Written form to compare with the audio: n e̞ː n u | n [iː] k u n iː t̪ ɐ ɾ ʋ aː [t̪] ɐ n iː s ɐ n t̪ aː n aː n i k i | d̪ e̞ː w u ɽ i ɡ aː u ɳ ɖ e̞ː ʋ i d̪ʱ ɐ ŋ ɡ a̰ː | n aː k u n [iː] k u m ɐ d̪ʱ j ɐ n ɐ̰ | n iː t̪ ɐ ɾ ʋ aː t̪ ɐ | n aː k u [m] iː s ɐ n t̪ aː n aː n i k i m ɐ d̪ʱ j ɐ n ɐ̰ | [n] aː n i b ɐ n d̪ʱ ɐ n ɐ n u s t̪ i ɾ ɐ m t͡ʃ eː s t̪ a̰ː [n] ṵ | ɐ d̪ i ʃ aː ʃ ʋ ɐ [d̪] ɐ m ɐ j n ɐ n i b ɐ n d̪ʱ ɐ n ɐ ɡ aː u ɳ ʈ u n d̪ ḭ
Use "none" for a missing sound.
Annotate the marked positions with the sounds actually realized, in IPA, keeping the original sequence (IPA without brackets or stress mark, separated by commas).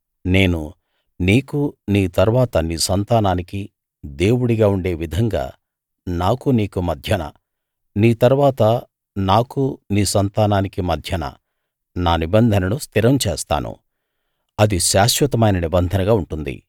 iː, t̪, iː, n, n, n, t̪